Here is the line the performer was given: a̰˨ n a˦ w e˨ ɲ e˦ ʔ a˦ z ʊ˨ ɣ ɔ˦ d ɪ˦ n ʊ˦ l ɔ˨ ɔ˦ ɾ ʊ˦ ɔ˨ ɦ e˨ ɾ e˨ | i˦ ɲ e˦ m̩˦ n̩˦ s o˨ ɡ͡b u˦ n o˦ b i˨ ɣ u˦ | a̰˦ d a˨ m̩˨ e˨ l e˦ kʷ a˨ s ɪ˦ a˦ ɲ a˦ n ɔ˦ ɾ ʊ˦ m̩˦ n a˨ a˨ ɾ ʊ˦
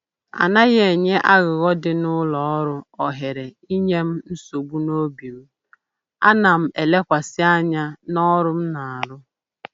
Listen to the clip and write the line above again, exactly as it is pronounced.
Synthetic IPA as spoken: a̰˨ n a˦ ɣ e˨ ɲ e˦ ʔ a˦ ɣ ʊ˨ ɣ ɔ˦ d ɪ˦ n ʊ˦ l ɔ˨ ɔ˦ ɾ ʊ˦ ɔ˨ ɦ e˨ ɾ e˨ | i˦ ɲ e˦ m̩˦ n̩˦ s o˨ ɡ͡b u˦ n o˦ b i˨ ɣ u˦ | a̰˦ n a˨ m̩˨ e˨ l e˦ kʷ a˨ s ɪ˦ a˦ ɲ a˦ n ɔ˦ ɾ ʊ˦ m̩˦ n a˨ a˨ ɾ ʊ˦